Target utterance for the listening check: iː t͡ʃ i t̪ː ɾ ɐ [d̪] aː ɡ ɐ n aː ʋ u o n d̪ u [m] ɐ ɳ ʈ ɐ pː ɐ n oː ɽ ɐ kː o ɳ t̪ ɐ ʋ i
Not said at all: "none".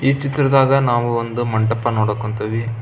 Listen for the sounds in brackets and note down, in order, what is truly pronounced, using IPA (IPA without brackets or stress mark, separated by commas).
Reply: d̪, m